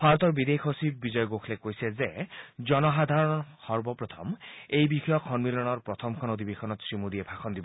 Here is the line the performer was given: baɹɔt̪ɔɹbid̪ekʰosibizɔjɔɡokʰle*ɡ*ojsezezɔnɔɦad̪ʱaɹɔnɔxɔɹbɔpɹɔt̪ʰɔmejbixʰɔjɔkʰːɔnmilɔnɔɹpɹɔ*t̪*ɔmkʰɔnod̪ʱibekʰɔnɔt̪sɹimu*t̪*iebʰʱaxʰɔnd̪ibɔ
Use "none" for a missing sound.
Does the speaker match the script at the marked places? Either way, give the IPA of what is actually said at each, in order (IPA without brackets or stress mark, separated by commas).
k, t̪ʰ, d̪